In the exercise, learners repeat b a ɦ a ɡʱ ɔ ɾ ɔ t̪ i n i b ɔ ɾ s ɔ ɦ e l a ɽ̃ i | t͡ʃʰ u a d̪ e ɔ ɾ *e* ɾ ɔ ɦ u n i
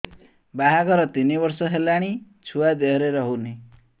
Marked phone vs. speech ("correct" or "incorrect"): correct